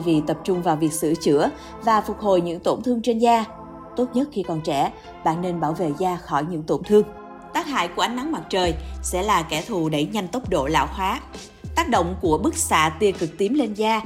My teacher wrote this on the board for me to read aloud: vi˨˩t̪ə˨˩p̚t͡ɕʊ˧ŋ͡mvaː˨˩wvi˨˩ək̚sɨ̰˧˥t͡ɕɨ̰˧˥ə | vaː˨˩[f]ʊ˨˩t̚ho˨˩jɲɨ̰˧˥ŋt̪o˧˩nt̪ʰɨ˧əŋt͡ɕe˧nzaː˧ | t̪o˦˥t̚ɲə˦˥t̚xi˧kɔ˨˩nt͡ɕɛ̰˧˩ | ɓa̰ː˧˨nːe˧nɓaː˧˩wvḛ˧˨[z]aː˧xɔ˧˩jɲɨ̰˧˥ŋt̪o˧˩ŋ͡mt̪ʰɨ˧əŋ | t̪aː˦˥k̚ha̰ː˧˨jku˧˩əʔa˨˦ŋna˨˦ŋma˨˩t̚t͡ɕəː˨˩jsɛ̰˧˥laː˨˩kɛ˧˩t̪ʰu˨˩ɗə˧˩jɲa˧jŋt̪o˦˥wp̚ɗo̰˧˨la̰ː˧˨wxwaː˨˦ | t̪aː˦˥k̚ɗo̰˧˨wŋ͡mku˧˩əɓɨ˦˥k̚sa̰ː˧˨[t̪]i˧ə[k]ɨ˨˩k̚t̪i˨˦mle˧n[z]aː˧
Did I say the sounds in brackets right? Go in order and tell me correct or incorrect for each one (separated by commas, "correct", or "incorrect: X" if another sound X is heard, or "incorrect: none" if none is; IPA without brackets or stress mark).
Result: correct, correct, correct, correct, correct